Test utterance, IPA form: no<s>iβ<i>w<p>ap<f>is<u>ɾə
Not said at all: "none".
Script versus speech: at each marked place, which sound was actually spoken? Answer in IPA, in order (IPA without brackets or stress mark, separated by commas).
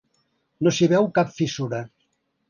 s, ɛ, k, f, u